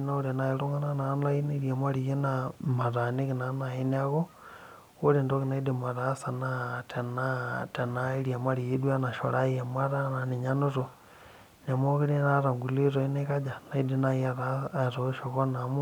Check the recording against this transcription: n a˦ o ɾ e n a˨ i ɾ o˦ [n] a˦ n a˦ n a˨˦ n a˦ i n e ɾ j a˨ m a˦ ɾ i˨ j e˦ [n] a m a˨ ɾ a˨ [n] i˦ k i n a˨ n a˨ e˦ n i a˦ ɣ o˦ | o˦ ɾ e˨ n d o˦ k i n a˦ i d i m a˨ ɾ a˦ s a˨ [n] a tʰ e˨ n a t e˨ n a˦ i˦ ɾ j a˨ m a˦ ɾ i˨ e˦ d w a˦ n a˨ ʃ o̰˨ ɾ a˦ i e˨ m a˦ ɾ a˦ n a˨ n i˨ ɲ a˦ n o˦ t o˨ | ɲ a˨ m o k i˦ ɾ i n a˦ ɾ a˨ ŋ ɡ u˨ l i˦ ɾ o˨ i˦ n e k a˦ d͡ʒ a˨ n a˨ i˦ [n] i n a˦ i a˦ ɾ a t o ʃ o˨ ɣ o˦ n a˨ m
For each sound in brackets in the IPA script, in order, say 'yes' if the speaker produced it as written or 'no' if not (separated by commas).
no, yes, yes, yes, no